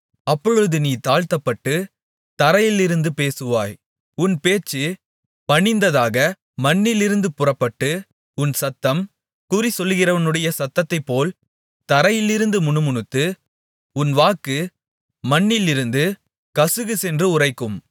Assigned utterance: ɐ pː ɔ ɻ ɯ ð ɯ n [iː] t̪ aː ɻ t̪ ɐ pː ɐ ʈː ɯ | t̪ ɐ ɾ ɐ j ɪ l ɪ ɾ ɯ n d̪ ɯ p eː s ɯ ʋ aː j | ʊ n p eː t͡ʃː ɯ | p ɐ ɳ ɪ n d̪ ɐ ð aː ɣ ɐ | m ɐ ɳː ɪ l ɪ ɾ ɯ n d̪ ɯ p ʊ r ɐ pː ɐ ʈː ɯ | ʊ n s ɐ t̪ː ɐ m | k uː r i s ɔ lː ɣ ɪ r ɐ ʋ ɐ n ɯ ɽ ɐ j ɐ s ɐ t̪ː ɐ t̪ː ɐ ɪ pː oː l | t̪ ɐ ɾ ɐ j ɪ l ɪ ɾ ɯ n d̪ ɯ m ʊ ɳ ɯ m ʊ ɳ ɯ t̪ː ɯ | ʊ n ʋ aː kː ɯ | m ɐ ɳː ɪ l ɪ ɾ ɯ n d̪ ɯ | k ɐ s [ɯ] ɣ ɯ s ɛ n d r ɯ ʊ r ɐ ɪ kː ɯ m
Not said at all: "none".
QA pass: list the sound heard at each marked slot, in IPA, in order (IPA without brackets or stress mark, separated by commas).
iː, ɯ